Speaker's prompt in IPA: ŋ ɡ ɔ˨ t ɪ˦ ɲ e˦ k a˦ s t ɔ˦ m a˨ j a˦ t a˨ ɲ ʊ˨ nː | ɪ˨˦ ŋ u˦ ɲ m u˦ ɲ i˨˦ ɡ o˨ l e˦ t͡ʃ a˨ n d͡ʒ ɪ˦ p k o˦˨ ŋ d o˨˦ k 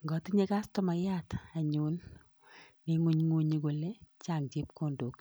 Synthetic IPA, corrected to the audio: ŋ ɡ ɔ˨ t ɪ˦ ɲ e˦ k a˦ s t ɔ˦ m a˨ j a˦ t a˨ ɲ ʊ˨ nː | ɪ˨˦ ŋ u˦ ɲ ŋ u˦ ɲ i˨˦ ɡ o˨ l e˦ t͡ʃ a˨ ŋ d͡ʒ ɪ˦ p k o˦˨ n d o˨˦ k